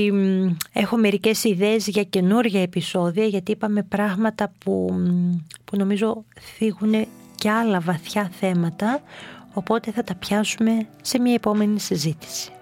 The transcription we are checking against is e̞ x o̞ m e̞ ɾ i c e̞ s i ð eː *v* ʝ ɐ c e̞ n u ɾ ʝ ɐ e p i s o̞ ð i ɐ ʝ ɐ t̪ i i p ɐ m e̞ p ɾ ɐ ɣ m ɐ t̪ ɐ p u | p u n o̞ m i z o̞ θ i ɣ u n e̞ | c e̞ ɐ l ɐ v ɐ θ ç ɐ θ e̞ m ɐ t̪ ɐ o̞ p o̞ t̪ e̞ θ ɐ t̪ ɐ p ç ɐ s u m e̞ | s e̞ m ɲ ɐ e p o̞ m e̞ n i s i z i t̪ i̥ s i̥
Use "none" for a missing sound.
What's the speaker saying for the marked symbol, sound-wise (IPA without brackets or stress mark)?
z